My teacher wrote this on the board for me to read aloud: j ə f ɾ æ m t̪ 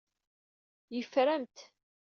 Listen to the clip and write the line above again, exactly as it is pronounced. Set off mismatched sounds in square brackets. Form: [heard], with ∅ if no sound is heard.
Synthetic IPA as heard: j ə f ɾ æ m t̪